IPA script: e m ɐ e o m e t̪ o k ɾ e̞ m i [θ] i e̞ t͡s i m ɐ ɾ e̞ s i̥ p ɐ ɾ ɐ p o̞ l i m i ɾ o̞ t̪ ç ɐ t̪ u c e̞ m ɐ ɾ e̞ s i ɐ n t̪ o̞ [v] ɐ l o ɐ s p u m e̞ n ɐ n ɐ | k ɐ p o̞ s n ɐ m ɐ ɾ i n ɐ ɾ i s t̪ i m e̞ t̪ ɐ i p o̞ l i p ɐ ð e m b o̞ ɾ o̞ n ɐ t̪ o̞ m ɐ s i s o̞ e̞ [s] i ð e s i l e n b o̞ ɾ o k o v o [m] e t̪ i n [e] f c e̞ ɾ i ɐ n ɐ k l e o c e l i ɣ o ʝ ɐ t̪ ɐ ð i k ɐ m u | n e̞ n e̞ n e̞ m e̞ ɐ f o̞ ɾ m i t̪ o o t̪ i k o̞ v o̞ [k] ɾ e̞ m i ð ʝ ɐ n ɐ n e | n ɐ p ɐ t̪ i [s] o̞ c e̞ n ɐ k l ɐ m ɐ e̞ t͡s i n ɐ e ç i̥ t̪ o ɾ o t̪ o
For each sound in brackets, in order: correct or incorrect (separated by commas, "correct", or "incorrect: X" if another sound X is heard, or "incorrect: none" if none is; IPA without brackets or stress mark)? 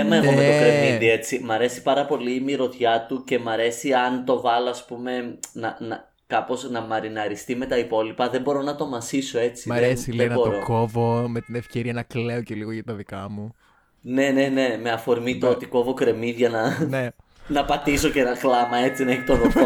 incorrect: ð, correct, incorrect: t͡s, correct, correct, correct, correct